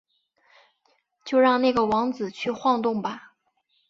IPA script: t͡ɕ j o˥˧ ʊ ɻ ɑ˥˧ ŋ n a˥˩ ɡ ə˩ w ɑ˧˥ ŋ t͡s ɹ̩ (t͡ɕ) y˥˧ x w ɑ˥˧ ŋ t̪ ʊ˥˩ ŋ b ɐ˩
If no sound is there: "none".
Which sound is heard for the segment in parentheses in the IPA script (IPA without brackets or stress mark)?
t͡ɕʰ